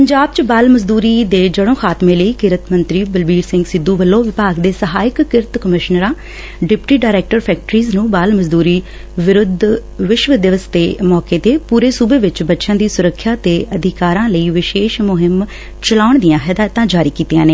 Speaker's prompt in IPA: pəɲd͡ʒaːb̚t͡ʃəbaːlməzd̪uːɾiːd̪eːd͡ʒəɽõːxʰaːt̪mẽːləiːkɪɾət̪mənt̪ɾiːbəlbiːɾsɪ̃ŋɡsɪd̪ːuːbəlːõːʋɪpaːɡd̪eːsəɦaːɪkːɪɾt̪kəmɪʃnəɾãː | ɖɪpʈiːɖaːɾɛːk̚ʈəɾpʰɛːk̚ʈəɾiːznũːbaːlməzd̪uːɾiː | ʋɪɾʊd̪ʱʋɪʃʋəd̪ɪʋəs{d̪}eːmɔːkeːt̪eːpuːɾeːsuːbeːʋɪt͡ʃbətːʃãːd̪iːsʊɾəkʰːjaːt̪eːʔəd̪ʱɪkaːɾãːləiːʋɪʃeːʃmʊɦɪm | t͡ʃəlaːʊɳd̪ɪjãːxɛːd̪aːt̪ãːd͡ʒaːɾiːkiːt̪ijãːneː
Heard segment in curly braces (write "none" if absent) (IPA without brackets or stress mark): t̪